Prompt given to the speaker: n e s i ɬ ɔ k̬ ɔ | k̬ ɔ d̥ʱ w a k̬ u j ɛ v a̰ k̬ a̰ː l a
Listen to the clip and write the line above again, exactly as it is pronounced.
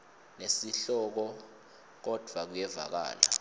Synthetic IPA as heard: n e s i ɬ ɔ k̬ ɔ | k̬ ɔ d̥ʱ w a k̬ u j ɛ v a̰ k̬ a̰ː l a